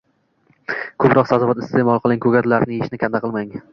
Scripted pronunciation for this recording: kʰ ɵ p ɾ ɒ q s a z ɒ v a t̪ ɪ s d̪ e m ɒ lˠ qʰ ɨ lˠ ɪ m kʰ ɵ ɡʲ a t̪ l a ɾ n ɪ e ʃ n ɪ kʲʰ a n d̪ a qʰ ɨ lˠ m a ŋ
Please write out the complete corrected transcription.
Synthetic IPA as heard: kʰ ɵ p ɾ ɒ q s a z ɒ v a t̪ ɪ s t̪ e m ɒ lˠ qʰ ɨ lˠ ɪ ŋ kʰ ɵ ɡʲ a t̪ l a ɾ n ɪ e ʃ n ɪ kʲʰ a n d̪ a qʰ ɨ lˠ m a ŋ

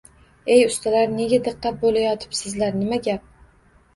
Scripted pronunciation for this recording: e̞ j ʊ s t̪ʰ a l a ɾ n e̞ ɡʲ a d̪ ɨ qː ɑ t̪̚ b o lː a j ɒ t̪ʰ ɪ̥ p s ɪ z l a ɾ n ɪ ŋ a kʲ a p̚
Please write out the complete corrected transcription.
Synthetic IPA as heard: e̞ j ʊ s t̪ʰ a l a ɾ n e̞ ɡʲ a d̪ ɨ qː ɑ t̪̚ b o l a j ɒ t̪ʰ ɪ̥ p s ɪ z l a ɾ n ɪ m a ɡʲ a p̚

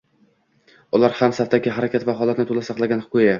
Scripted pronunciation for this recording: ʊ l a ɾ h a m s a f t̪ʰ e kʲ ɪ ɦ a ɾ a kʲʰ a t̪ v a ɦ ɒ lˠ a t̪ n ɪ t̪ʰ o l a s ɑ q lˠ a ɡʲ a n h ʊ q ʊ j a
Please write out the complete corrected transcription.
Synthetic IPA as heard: ʊ l a ɾ h a m s a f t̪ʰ a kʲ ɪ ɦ a ɾ a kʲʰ a t̪ v a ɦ ɒ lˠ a t̪ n ɪ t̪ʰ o l a s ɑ q lˠ a ɡʲ a n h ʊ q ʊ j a

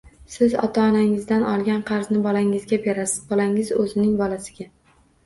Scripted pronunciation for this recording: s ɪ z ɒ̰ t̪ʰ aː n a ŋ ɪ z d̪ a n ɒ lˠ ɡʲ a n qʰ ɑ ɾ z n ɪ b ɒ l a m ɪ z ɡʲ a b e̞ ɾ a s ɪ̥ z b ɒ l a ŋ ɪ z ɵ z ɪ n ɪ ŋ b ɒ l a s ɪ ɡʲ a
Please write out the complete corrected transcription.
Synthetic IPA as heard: s ɪ z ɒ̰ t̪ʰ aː n a ŋ ɪ z d̪ a n ɒ lˠ ɡʲ a n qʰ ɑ ɾ z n ɪ b ɒ l a ŋ ɪ z ɡʲ a b e̞ ɾ a s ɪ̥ z b ɒ l a ŋ ɪ z ɵ z ɪ n ɪ ŋ b ɒ l a s ɪ ɡʲ a

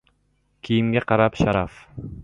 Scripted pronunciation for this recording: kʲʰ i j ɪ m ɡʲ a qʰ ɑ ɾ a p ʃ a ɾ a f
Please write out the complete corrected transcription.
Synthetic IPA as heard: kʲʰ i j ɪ m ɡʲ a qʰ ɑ ɾ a p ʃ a ɾ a f

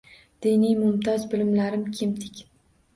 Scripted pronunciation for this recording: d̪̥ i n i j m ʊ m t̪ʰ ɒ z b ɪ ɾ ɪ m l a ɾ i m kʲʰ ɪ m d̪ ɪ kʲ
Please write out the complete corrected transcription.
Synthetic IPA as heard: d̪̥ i n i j m ʊ m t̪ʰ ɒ z b ɪ l ɪ m l a ɾ ɪ m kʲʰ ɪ m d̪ ɪ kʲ

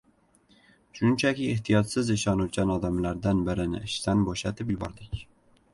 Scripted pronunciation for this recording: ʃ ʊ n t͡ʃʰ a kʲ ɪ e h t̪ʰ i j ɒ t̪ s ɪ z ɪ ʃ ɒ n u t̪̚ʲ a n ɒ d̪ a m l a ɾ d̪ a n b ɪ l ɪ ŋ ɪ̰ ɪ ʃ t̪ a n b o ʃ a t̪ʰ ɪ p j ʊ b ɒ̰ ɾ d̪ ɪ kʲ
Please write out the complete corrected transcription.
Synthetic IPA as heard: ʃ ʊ n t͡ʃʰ a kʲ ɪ e h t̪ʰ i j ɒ t̪ s ɪ z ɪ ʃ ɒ n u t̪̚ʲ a n ɒ d̪ a m l a ɾ d̪ a n b ɪ ɾ ɪ n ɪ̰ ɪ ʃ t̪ a n b o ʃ a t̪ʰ ɪ p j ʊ b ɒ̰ ɾ d̪ ɪ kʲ

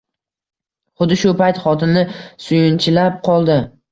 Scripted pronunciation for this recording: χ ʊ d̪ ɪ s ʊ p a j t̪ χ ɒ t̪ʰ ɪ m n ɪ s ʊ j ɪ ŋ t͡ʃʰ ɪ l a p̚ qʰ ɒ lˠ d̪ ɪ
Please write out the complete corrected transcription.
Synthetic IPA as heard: χ ʊ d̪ ɪ ʃ ʊ p a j t̪ χ ɒ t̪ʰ ɪ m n ɪ s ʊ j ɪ n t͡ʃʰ ɪ l a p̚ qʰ ɒ lˠ d̪ ɪ

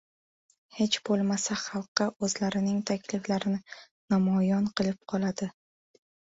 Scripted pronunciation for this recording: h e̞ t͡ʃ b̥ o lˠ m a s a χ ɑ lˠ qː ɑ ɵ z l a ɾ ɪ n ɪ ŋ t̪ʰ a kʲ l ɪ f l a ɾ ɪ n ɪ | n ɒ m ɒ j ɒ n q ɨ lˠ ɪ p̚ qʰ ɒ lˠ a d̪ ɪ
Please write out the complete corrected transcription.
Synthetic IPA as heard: h e̞ t͡ʃ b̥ o lˠ m a s a χ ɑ lˠ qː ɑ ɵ z l a ɾ ɪ n ɪ ŋ t̪ʰ a kʲ l ɪ f l a ɾ ɪ n ɪ | n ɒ m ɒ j ɒ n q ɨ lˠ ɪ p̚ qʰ ɒ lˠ a d̪ ɪ

